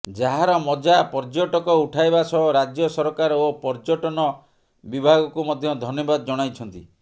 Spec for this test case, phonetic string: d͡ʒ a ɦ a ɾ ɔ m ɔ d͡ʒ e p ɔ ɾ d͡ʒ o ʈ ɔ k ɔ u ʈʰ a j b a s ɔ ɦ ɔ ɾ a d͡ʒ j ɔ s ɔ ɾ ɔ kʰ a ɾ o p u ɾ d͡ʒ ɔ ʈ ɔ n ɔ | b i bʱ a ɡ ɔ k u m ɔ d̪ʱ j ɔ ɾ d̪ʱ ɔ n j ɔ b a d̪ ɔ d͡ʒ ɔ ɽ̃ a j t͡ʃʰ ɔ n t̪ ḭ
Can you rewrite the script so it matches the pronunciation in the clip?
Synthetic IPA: d͡ʒ a ɦ a ɾ ɔ m ɔ d͡ʒ a p ɔ ɾ d͡ʒ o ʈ ɔ k ɔ u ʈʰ a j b a s ɔ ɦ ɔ ɾ a d͡ʒ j ɔ s ɔ ɾ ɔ k a ɾ o p ɔ ɾ d͡ʒ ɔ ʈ ɔ n ɔ | b i bʱ a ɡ ɔ k u m ɔ d̪ʱ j ɔ d̪ʱ ɔ n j ɔ b a d̪ ɔ d͡ʒ ɔ ɽ̃ a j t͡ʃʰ ɔ n t̪ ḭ

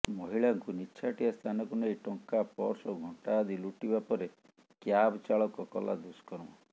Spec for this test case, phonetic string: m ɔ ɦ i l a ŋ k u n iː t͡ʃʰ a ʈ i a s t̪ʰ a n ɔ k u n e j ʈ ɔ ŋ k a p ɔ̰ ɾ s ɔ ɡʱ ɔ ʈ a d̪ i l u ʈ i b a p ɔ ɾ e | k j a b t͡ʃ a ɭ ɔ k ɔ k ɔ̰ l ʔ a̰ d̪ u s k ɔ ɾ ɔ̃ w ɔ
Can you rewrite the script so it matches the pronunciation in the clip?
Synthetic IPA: m ɔ ɦ i ɭ a ŋ k u n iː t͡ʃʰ a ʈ i a s t̪ʰ a n ɔ k u n e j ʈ ɔ ŋ k a p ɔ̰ ɾ s ɔ ɡʱ ɔ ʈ a d̪ i l u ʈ i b a p ɔ ɾ e | k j a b t͡ʃ a ɭ ɔ k ɔ k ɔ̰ l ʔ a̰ d̪ u s k ɔ ɾ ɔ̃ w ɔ

